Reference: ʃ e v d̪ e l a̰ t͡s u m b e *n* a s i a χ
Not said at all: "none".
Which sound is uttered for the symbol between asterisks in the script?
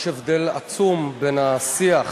n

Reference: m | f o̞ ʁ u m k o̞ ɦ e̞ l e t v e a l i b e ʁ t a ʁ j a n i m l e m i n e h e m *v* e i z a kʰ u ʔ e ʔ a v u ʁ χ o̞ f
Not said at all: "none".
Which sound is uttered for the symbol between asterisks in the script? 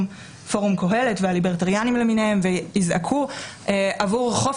v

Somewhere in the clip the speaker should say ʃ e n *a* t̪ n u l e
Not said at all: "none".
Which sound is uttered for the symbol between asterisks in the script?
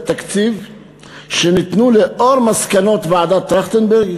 i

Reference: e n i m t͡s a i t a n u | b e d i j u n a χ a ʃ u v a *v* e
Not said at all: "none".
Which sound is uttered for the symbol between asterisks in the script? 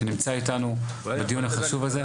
z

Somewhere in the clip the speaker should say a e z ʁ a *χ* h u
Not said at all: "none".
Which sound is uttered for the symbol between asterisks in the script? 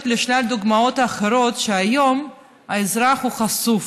χ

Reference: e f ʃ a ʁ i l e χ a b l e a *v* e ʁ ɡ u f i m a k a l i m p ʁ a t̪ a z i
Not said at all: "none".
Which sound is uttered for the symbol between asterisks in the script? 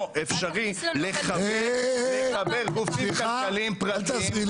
b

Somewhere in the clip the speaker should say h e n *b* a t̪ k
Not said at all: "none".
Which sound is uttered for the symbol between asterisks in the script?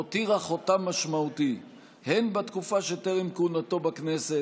b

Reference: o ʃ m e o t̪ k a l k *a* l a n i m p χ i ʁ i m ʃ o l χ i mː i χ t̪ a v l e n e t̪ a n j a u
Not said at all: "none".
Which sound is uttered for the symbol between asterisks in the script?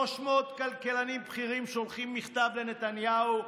e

